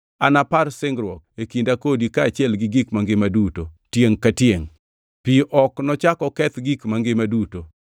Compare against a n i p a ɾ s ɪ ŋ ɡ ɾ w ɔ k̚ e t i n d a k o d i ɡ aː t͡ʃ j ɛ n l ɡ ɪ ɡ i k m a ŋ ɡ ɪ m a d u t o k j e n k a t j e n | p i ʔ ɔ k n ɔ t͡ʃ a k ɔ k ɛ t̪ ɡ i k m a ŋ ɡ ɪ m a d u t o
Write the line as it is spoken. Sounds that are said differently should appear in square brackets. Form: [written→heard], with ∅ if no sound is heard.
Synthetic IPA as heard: a n [i→a] p a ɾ s ɪ ŋ ɡ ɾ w ɔ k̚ e [t→k] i n d a k o d i [ɡ→k] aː t͡ʃ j ɛ [n→∅] l ɡ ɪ ɡ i k m a ŋ ɡ ɪ m a d u t o [k→t] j e [n→ŋ] k a t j e [n→ŋ] | p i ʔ ɔ k n ɔ t͡ʃ a k ɔ k ɛ t̪ ɡ i k m a ŋ ɡ ɪ m a d u t o

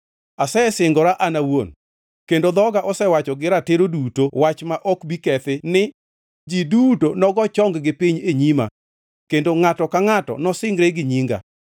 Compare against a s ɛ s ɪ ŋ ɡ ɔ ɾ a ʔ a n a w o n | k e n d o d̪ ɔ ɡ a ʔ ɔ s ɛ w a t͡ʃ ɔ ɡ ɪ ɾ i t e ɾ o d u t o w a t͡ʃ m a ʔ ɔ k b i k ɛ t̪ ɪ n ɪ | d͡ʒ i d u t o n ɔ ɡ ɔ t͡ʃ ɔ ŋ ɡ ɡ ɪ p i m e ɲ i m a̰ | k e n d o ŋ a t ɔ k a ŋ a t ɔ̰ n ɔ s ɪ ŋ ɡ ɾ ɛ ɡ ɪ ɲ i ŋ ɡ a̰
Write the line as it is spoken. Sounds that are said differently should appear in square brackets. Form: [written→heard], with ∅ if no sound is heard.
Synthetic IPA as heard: a s ɛ s ɪ ŋ ɡ ɔ ɾ a ʔ a n a w o n | k e n d o d̪ ɔ ɡ a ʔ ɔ s ɛ w a t͡ʃ ɔ ɡ ɪ ɾ [i→a] t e ɾ o d u t o w a t͡ʃ m a ʔ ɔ k b i k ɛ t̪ ɪ n ɪ | d͡ʒ i d u t o n ɔ ɡ ɔ t͡ʃ ɔ ŋ ɡ ɡ ɪ p i [m→ɲ] e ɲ i m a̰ | k e n d o ŋ a t ɔ k a ŋ a t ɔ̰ n ɔ s ɪ ŋ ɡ ɾ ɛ ɡ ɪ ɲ i ŋ ɡ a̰

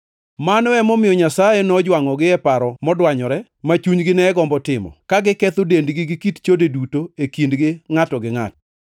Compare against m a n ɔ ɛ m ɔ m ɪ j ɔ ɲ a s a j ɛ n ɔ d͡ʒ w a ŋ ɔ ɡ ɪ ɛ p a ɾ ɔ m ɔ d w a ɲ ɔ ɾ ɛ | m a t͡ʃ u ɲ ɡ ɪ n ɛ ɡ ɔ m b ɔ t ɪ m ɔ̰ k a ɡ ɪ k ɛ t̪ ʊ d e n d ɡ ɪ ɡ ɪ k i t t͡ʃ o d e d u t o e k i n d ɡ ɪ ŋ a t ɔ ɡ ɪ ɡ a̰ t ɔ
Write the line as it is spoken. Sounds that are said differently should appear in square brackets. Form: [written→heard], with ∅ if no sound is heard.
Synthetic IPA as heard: m a n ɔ ɛ m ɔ m ɪ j ɔ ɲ a s a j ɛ n ɔ d͡ʒ w a ŋ ɔ ɡ ɪ ɛ p a ɾ ɔ m ɔ d w a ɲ ɔ ɾ ɛ | m a t͡ʃ u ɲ ɡ ɪ n ɛ ɡ ɔ m b ɔ t ɪ m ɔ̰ k a ɡ ɪ k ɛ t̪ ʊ d e n d ɡ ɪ ɡ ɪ k i t t͡ʃ o d e d u t o e k i n d ɡ ɪ ŋ a t ɔ ɡ ɪ [ɡ→ŋ] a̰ t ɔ

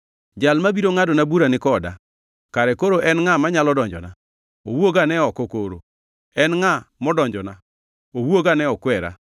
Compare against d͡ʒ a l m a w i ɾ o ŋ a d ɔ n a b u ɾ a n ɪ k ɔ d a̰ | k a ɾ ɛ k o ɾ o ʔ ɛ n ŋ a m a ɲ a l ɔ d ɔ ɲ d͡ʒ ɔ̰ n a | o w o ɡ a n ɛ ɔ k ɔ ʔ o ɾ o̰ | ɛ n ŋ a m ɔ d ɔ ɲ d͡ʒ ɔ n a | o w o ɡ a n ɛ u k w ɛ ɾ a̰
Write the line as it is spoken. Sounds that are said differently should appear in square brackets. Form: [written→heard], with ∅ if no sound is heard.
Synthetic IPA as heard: d͡ʒ a l m a [w→b] i ɾ o ŋ a d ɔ n a b u ɾ a n ɪ k ɔ d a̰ | k a ɾ ɛ k o ɾ o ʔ ɛ n ŋ a m a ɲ a l ɔ d ɔ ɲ d͡ʒ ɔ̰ n a | o w o ɡ a n ɛ ɔ k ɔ [ʔ→k] o ɾ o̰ | ɛ n ŋ a m ɔ d ɔ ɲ d͡ʒ ɔ n a | o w o ɡ a n ɛ [u→ɔ] k w ɛ ɾ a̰

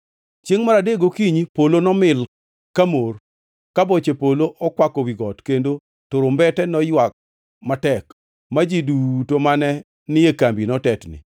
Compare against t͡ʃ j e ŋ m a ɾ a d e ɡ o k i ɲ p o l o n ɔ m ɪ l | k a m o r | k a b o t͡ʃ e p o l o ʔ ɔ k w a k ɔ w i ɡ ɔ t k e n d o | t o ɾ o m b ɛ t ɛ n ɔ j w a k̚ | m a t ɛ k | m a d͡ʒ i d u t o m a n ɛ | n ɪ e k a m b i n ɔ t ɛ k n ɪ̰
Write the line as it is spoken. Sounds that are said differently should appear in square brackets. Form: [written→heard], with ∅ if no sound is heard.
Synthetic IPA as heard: t͡ʃ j e ŋ m a ɾ a d e ɡ o k i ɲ p o l o n ɔ m ɪ l | k a m o r | k a b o t͡ʃ e p o l o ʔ ɔ k w a k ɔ w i ɡ ɔ t k e n d o | t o ɾ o m b ɛ t ɛ n ɔ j w a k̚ | m a t ɛ k | m a d͡ʒ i d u t o m a n ɛ | n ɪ e k a m b i n ɔ t ɛ [k→t] n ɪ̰

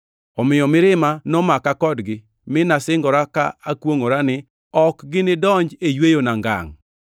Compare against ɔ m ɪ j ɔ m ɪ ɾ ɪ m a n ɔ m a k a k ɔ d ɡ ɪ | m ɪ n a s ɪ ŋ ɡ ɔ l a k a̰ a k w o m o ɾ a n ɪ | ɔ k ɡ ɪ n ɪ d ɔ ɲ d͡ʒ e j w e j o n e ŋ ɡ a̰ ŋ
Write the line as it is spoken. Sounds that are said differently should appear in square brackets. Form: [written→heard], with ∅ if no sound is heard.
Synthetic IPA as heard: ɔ m ɪ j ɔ m ɪ ɾ ɪ m a n ɔ m a k a k ɔ d ɡ ɪ | m ɪ n a s ɪ ŋ ɡ ɔ [l→ɾ] a k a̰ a k w o [m→ŋ] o ɾ a n ɪ | ɔ k ɡ ɪ n ɪ d ɔ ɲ d͡ʒ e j w e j o n [e→a] ŋ ɡ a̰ ŋ

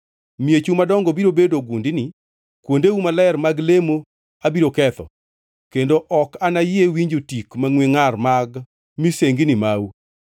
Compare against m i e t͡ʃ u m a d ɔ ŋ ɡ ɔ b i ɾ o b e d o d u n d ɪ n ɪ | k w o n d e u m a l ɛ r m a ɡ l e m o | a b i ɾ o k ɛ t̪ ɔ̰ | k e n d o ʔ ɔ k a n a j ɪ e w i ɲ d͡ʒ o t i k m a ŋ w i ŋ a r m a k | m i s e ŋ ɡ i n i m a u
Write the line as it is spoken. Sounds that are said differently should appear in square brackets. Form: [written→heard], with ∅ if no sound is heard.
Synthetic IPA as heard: m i e t͡ʃ u m a d ɔ ŋ ɡ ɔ b i ɾ o b e d o [d→ɡ] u n d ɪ n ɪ | k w o n d e u m a l ɛ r m a ɡ l e m o | a b i ɾ o k ɛ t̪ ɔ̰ | k e n d o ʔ ɔ k a n a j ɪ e w i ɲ d͡ʒ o t i k m a ŋ w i ŋ a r m a [k→ɡ] | m i s e ŋ ɡ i n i m a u

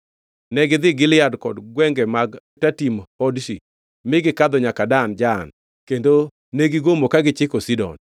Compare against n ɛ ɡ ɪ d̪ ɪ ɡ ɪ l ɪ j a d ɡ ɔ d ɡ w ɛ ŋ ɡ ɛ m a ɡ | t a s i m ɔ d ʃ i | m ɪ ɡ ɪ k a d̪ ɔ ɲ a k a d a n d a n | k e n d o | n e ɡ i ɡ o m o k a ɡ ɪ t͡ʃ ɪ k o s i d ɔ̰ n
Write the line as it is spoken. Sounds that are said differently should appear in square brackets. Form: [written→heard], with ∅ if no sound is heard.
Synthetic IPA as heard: n ɛ ɡ ɪ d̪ ɪ ɡ ɪ l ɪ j a d [ɡ→k] ɔ d ɡ w ɛ ŋ ɡ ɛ m a ɡ | t a [s→t] i m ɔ d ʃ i | m ɪ ɡ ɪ k a d̪ ɔ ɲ a k a d a n [d→d͡ʒ] a n | k e n d o | n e ɡ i ɡ o m o k a ɡ ɪ t͡ʃ ɪ k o s i d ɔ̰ n

